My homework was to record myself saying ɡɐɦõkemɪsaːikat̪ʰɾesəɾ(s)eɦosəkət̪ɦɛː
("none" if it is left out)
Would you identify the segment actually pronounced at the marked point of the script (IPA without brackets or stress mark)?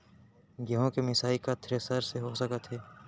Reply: s